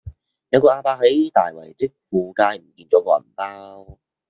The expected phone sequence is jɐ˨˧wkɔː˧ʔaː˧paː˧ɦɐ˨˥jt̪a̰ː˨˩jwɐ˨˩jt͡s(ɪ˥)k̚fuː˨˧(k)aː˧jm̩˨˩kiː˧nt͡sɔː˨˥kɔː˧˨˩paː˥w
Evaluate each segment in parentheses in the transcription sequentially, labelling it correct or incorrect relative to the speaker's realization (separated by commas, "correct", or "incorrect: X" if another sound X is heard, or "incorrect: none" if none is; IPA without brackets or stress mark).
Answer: correct, correct